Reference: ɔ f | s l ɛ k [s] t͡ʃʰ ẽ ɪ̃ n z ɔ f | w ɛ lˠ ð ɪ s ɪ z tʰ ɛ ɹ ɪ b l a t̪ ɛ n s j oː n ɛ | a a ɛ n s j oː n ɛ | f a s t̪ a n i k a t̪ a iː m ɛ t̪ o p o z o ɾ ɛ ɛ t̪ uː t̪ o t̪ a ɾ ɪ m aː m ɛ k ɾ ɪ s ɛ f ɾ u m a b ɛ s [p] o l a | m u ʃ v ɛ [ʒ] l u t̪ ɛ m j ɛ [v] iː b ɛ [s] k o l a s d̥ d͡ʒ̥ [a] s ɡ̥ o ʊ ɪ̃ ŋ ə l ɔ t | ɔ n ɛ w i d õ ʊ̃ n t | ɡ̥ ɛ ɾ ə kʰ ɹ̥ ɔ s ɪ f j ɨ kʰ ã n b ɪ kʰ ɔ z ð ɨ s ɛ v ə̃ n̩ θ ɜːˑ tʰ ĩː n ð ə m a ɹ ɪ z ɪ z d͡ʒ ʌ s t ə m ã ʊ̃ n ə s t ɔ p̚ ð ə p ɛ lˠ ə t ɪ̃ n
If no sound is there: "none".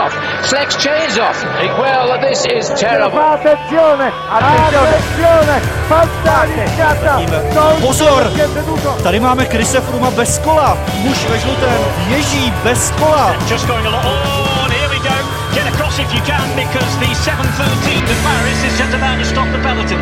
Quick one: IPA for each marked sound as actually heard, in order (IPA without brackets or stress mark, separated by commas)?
s, k, ʒ, ʒ, s, ʌ